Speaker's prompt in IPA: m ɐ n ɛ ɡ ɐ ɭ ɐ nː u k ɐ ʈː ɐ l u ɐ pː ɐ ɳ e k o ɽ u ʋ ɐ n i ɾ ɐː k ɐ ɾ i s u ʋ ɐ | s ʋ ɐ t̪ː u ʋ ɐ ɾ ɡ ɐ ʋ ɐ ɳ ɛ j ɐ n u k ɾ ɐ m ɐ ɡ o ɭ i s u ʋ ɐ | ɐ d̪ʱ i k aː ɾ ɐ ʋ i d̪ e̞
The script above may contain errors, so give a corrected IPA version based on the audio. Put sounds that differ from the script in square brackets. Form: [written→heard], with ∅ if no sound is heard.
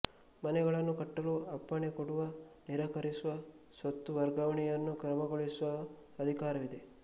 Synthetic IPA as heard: m ɐ n ɛ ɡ ɐ ɭ ɐ nː u k ɐ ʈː ɐ l u ɐ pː ɐ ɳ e k o ɽ u ʋ ɐ n i ɾ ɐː k ɐ ɾ i s u ʋ ɐ | s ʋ ɐ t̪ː u ʋ ɐ ɾ ɡ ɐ ʋ ɐ ɳ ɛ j ɐ [n→nː] u k ɾ ɐ m ɐ ɡ o ɭ i s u ʋ ɐ | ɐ d̪ʱ i k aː ɾ ɐ ʋ i d̪ e̞